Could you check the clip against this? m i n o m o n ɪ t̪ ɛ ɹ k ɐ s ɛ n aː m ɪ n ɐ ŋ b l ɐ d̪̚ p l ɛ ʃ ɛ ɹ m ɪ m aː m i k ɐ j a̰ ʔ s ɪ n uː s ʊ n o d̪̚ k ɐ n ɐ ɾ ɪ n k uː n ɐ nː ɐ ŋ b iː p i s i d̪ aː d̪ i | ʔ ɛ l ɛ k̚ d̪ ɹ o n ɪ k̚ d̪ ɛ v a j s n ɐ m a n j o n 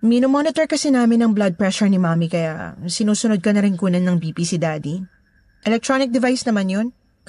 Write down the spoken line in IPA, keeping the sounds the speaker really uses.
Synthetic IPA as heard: m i n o m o n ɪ t̪ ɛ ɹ k ɐ s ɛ n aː m ɪ n ɐ ŋ b l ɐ d̪̚ p ɹ ɛ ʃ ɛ ɹ n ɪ m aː m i k ɐ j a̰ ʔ s ɪ n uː s ʊ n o d̪̚ k ɐ n ɐ ɾ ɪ n k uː n ɐ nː ɐ ŋ b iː p i s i d̪ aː d̪ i | ʔ ɛ l ɛ k̚ t̪ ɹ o n ɪ k̚ d̪ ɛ v a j s n ɐ m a n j o n